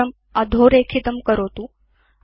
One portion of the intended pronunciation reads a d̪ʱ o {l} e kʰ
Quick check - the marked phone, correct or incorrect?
incorrect